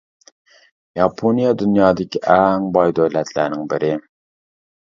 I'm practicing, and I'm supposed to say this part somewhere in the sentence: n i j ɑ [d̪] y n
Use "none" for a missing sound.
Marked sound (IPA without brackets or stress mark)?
d̪